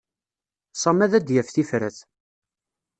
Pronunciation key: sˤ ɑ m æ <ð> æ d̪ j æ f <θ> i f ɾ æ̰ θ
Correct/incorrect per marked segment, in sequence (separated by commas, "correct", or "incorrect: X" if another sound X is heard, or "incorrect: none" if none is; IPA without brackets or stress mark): correct, correct